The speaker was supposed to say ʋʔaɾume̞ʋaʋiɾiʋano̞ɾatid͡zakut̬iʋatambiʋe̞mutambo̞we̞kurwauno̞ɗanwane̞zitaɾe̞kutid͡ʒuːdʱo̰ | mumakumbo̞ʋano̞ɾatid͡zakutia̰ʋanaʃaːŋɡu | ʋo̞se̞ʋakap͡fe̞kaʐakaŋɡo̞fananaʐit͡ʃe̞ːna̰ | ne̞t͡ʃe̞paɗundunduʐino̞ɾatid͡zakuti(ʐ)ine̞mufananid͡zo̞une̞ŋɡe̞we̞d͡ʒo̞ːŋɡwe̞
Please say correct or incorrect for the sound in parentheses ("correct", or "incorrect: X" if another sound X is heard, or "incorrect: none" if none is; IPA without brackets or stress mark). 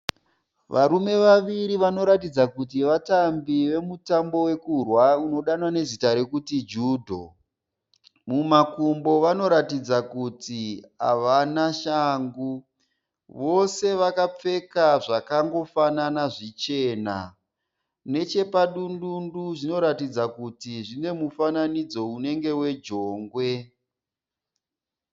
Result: correct